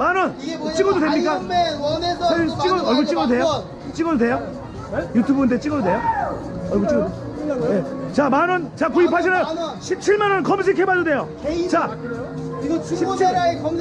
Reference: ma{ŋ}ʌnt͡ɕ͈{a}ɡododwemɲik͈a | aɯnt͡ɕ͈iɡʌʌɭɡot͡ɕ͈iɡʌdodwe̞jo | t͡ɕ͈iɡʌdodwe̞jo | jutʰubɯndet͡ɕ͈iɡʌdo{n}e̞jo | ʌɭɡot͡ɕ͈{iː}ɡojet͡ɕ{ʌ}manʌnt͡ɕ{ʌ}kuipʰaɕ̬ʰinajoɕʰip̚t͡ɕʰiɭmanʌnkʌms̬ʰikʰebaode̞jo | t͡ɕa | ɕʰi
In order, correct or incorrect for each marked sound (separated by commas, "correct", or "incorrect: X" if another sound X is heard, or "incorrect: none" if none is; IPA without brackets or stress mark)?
incorrect: n, incorrect: i, incorrect: d, incorrect: i, incorrect: a, incorrect: a